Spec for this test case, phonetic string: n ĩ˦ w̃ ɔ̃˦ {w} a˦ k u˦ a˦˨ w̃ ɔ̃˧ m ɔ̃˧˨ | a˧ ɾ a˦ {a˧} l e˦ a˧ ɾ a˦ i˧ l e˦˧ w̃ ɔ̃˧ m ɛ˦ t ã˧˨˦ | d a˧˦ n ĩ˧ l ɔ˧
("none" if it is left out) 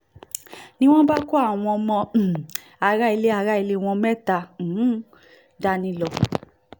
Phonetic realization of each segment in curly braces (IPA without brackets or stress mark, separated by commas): b, i˧